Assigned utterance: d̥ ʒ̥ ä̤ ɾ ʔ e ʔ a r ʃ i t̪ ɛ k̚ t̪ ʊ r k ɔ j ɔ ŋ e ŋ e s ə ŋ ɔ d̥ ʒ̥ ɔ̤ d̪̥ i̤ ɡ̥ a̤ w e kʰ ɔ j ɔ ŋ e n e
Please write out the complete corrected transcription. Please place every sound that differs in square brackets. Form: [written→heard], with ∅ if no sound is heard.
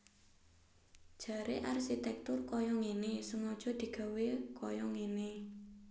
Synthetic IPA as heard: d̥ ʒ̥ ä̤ ɾ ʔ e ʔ a r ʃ i t̪ ɛ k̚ t̪ ʊ r k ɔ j ɔ ŋ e [ŋ→n] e s ə ŋ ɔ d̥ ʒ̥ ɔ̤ d̪̥ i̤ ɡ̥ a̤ w e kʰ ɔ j ɔ ŋ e n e